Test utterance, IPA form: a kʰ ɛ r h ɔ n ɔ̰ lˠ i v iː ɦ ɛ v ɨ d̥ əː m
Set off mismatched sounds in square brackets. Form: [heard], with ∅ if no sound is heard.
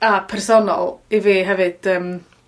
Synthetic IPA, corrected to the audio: a [pʰ] ɛ r [s] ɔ n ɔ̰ lˠ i v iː ɦ ɛ v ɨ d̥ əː m